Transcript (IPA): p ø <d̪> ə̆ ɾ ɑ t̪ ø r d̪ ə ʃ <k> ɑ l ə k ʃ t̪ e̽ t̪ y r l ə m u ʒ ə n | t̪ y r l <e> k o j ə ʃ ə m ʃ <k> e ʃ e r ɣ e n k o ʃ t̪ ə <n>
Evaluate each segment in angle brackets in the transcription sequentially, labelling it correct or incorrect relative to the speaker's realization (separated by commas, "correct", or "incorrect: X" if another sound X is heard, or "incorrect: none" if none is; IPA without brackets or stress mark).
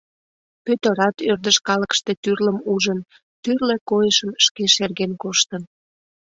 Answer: incorrect: t̪, correct, correct, correct, correct